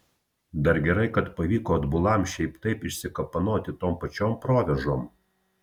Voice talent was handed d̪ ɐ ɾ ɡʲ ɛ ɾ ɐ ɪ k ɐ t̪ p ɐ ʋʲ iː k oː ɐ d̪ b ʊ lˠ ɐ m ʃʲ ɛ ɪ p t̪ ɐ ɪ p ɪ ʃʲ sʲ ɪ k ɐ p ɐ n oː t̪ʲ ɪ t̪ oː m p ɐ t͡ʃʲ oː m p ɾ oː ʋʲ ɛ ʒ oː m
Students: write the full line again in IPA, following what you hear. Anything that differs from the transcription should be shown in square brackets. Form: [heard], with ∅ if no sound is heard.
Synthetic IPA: d̪ ɐ ɾ ɡʲ ɛ ɾ ɐ ɪ k ɐ t̪ p ɐ ʋʲ iː k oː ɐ d̪ b ʊ lˠ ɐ m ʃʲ ɛ ɪ p t̪ ɐ ɪ p ɪ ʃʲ sʲ ɪ k ɐ p ɐ n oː t̪ʲ ɪ t̪ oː m p ɐ t͡ʃʲ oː m p ɾ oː ʋʲ ɛ ʒ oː m